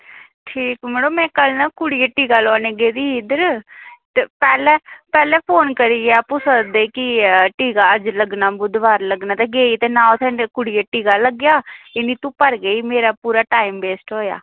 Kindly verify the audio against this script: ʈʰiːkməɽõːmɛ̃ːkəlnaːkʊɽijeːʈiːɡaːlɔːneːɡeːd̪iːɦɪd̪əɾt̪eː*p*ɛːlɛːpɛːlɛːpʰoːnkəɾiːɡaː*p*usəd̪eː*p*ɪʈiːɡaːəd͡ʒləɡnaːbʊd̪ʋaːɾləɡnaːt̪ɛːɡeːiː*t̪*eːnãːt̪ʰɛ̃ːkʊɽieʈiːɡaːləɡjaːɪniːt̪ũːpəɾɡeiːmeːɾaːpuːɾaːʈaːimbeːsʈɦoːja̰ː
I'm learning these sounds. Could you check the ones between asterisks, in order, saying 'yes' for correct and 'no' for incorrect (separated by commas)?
yes, yes, no, yes